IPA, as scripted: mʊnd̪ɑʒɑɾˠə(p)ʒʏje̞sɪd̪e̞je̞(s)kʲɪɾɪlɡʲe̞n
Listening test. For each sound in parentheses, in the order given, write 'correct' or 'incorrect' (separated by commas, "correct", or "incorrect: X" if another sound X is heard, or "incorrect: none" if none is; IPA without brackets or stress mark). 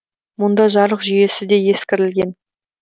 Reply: incorrect: q, correct